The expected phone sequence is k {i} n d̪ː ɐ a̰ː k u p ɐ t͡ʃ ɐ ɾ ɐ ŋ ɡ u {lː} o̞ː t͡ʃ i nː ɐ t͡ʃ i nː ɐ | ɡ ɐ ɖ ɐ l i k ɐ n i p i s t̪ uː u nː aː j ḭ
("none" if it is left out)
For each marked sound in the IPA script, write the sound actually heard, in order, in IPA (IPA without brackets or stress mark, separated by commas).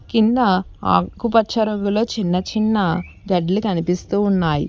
i, l